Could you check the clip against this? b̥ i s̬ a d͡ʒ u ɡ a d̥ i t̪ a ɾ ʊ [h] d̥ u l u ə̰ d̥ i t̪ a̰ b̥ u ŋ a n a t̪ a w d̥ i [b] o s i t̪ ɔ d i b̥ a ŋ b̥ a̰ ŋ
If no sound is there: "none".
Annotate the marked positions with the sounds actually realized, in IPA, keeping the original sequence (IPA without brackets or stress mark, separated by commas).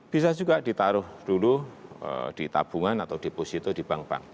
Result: h, p